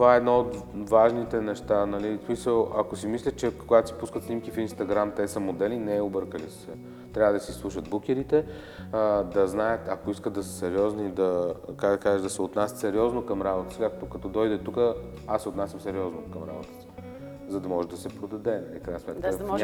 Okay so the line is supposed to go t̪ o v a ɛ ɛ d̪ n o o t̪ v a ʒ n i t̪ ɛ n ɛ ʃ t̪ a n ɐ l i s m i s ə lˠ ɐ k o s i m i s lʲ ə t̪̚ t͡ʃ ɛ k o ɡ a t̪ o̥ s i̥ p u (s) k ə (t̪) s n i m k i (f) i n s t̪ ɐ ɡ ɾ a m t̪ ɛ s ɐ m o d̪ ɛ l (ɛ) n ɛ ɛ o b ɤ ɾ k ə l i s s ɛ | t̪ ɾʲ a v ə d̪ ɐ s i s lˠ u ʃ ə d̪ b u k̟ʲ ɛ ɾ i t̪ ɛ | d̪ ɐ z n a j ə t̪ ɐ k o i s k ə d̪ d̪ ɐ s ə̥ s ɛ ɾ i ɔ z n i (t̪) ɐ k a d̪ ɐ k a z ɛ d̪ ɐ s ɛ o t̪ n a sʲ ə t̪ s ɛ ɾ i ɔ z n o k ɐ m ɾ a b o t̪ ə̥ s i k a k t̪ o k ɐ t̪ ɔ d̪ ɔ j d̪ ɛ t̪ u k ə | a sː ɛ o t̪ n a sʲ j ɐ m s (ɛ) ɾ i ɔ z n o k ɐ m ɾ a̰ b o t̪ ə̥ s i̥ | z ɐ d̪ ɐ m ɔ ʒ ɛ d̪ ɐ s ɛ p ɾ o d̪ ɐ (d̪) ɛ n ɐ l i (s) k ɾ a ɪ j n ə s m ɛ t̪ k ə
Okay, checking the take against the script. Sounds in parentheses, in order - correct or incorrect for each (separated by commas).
correct, correct, correct, incorrect, incorrect, correct, correct, incorrect